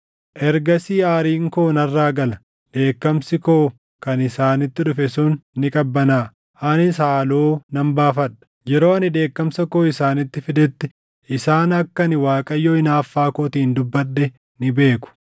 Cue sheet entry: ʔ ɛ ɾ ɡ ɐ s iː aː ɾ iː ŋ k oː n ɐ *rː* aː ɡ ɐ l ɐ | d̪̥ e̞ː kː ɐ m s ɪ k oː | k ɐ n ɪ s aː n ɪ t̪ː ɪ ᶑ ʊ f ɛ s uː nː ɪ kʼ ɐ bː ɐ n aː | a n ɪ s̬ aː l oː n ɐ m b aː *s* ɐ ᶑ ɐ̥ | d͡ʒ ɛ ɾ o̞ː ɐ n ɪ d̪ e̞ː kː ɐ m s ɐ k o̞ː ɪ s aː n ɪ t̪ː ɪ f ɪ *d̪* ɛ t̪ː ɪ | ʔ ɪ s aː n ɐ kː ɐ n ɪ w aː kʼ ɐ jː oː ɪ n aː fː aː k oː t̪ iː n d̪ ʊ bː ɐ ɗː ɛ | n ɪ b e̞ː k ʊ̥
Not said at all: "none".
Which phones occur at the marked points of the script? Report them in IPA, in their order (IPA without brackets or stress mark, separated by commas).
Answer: rː, f, d̪